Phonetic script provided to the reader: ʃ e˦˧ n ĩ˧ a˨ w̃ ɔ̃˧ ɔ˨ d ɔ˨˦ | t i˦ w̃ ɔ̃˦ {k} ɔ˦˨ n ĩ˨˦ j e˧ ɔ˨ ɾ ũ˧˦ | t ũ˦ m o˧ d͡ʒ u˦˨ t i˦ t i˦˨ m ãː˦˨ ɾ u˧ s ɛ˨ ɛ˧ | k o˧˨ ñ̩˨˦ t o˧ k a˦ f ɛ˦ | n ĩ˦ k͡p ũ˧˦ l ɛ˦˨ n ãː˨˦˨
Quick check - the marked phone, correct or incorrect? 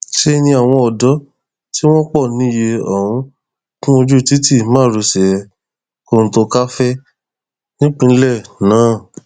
incorrect